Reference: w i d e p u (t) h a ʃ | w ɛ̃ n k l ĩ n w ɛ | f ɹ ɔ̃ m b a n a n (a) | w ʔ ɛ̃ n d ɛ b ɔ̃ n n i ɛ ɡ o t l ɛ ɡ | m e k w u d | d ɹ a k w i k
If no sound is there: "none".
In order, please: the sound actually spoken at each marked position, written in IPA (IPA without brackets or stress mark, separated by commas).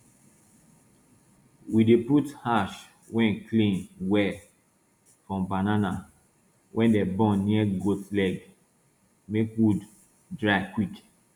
t, a